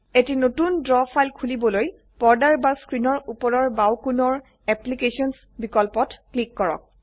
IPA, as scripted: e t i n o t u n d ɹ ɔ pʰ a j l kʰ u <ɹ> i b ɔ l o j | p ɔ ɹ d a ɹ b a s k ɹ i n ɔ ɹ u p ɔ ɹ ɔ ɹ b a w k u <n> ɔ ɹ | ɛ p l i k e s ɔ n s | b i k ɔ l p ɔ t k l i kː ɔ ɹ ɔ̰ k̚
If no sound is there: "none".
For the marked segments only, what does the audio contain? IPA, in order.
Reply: l, n

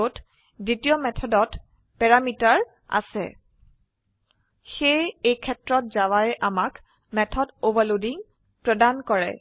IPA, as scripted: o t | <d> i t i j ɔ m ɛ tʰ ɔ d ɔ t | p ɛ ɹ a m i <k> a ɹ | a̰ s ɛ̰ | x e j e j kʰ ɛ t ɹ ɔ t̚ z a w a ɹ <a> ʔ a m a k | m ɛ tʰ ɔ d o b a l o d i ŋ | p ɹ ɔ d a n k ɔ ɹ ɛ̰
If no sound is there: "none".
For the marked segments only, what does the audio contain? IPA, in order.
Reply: d, t, ɛ

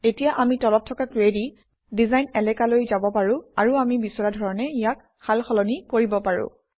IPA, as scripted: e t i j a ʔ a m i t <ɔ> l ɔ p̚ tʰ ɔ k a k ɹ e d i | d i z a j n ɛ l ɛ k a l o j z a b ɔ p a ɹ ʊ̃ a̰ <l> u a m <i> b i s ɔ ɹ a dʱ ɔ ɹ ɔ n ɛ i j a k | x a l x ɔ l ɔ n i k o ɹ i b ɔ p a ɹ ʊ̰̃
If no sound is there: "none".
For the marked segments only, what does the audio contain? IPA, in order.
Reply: ɔ, ɹ, i

